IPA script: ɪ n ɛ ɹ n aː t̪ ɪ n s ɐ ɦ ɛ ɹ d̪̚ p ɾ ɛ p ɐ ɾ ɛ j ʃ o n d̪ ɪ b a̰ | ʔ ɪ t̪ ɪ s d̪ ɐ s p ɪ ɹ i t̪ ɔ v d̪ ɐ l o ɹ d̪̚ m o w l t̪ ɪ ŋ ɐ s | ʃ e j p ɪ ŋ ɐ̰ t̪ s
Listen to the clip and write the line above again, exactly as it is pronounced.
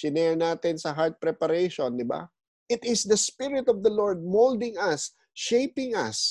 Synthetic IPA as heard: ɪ n ɛ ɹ n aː t̪ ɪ n s ɐ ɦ a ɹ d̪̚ p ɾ ɛ p ɐ ɾ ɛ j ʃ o n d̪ ɪ b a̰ | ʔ ɪ t̪ ɪ s d̪ ɐ s p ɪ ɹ ɪ t̪ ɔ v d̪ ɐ l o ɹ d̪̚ m o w l d̪ ɪ ŋ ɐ s | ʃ e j p ɪ ŋ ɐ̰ s